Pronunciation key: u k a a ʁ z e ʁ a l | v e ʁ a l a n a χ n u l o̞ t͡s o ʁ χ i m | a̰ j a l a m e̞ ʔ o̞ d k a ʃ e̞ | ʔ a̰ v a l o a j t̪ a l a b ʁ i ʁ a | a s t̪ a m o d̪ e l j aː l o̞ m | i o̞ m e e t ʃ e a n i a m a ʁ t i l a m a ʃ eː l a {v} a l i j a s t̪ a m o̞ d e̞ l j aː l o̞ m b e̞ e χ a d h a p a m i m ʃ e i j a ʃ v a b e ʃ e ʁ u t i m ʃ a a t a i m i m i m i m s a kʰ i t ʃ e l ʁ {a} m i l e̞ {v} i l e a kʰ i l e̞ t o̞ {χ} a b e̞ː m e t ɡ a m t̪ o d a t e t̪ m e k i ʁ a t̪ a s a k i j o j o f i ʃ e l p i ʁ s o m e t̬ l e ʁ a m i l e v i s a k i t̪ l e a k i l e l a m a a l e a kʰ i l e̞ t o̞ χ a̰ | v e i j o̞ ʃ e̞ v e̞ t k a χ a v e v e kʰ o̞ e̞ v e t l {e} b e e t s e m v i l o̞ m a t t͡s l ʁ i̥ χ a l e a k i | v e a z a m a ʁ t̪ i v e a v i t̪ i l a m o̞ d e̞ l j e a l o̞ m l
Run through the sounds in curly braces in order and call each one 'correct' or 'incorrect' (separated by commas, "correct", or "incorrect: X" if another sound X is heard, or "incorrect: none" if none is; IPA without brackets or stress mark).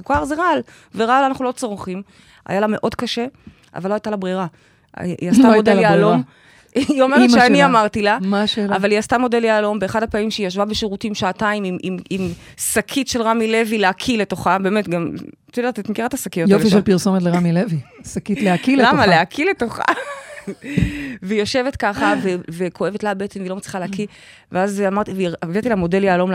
correct, correct, correct, correct, incorrect: a